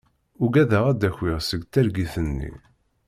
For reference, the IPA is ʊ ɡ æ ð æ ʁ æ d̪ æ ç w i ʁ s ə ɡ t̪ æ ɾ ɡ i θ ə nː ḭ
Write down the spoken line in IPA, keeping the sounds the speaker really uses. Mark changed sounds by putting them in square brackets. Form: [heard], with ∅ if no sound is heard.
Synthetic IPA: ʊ ɡ æ ð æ ʁ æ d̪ æ ç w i ʁ s ə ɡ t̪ æ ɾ ɡ i θ ə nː ḭ